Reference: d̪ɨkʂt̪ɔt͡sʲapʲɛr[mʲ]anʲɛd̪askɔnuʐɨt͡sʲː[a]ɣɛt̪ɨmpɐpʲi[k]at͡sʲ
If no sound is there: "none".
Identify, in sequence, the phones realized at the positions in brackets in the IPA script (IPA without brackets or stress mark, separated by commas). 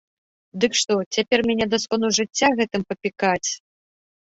mʲ, a, k